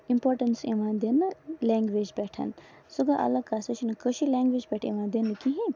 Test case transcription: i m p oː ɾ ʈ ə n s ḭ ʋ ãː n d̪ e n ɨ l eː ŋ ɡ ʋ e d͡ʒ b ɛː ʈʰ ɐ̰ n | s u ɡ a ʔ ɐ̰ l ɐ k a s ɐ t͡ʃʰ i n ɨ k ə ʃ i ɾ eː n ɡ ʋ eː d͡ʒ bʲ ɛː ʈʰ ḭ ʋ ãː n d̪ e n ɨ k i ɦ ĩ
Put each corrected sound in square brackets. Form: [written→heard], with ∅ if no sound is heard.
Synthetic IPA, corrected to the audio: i m p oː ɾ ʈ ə n s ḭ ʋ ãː n d̪ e n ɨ l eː ŋ ɡ ʋ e d͡ʒ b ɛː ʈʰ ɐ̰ n | s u ɡ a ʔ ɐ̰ l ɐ k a s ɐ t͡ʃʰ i n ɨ k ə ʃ i [ɾ→l] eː [n→ŋ] ɡ ʋ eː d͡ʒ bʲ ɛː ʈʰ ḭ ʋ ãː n d̪ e n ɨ k i ɦ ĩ